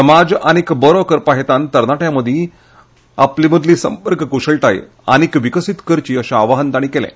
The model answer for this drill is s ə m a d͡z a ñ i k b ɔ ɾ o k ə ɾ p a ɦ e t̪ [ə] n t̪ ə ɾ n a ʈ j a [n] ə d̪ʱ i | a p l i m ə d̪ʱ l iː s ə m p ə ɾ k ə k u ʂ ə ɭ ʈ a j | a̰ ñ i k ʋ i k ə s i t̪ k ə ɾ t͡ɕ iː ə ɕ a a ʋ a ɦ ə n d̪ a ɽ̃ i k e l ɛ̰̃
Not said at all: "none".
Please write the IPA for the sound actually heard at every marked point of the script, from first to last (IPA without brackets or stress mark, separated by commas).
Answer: a, m